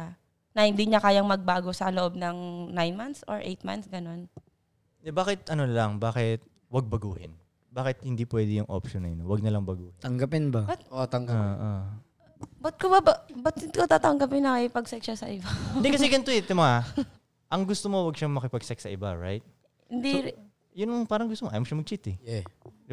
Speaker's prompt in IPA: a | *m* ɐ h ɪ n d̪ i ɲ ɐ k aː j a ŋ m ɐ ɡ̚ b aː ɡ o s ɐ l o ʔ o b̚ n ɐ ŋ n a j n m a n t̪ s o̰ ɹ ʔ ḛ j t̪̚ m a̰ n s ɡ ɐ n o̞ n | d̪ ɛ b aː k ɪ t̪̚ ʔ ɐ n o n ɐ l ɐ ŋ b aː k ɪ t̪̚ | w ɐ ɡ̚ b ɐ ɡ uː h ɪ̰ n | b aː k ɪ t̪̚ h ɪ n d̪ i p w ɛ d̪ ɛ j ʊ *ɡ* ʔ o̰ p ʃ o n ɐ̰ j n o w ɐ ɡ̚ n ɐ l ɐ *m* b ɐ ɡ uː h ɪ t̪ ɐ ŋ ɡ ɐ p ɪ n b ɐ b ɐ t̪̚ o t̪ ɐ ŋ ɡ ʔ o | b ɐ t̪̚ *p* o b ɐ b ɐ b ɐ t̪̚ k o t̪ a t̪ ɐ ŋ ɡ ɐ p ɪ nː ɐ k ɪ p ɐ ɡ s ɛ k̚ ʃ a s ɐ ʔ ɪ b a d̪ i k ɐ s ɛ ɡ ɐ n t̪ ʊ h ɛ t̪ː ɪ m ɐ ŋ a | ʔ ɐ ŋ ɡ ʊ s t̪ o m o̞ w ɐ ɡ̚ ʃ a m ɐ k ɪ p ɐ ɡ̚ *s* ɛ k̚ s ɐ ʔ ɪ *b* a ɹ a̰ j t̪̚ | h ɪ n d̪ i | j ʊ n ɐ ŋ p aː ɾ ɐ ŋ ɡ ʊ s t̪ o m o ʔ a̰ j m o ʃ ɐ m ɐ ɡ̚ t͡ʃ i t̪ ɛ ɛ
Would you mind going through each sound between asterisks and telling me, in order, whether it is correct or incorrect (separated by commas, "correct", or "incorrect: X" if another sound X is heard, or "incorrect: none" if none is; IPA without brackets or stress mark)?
incorrect: n, incorrect: ŋ, incorrect: ŋ, incorrect: k, correct, correct